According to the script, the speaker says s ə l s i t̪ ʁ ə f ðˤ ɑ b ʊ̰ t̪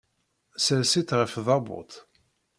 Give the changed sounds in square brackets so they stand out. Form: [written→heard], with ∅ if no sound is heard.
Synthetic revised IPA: s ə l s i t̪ ʁ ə f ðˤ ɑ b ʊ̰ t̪

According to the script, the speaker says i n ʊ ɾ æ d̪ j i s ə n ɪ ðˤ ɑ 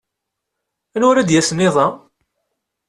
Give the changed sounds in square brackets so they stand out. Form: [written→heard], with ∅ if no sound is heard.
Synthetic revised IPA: [i→æ] n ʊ ɾ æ d̪ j [i→æ] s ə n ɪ ðˤ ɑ

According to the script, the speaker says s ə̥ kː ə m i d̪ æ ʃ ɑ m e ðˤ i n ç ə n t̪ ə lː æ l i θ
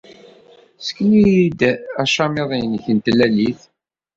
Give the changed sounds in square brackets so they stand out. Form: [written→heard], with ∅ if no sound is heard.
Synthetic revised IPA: s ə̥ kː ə [m→n] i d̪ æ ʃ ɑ m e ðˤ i n ç ə n t̪ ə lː æ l i θ

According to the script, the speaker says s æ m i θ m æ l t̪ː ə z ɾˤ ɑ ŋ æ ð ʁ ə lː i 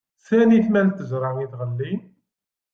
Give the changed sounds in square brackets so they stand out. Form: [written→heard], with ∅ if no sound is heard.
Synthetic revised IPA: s æ [m→n] i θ m æ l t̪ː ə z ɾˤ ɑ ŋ [æ→i] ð ʁ ə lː i

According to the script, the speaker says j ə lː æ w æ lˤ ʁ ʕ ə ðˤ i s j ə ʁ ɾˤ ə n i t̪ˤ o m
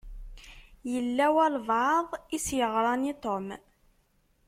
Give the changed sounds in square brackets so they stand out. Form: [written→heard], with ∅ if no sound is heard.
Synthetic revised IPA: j ə lː æ w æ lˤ [ʁ→v] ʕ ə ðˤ i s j ə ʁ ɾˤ [ə→ɑ] n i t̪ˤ o m

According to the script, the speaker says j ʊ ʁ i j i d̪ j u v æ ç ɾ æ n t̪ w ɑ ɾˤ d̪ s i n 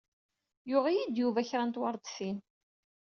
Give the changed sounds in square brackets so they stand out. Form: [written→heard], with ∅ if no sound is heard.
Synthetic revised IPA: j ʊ ʁ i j i d̪ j u v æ ç ɾ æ n t̪ w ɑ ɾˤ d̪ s i n

